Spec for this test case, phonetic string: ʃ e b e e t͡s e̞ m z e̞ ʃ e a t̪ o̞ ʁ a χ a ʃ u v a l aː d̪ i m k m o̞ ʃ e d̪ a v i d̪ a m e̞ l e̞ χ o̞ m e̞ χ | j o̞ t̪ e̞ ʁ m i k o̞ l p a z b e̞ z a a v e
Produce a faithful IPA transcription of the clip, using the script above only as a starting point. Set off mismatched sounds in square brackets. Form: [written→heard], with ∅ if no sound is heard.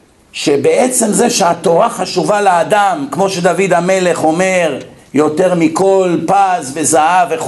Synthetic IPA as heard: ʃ e b e e t͡s e̞ m z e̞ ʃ e a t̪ o̞ ʁ a χ a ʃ u v a l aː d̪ [i→a] m k m o̞ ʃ e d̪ a v i d̪ a m e̞ l e̞ χ o̞ m e̞ [χ→ʁ] | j o̞ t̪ e̞ ʁ m i k o̞ l p a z [b→v] e̞ z a a v e